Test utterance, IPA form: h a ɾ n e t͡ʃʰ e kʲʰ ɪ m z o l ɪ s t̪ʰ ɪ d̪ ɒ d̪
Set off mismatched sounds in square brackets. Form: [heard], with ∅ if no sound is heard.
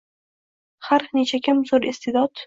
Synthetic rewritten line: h a ɾ n e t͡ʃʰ [a] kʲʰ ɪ m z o [ɾ] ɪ s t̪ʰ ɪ d̪ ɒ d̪